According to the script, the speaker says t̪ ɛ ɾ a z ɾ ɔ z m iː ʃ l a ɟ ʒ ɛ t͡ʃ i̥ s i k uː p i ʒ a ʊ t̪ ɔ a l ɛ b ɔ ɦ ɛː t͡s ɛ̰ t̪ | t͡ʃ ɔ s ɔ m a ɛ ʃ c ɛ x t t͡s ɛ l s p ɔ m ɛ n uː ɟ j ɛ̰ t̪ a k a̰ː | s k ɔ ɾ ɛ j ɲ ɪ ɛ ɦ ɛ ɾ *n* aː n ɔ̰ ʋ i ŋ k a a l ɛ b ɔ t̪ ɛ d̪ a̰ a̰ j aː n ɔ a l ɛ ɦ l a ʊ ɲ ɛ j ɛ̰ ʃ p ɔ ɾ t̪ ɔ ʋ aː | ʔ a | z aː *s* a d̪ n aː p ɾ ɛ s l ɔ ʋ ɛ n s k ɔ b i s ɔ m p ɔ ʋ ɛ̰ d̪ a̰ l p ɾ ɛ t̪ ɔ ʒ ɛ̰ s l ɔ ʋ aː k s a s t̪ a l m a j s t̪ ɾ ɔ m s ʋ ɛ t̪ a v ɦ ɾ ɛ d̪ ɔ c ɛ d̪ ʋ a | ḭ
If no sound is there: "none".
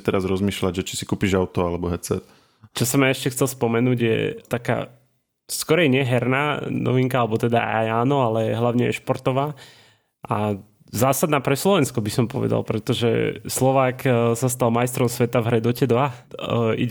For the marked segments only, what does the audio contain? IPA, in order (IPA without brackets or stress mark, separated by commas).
n, s